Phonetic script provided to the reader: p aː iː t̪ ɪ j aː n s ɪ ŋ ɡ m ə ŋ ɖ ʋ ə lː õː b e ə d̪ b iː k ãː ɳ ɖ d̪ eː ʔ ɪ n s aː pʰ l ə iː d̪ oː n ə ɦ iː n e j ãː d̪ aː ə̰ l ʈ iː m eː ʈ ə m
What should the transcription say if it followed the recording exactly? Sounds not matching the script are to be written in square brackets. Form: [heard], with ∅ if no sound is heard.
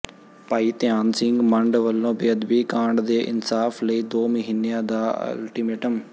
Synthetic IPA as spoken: p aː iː t̪ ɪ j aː n s ɪ ŋ ɡ m ə [ɳ] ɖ ʋ ə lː õː b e ə d̪ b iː k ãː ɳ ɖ d̪ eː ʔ ɪ n s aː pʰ l ə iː d̪ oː [m] ə ɦ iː n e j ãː d̪ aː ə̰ l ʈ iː m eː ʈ ə m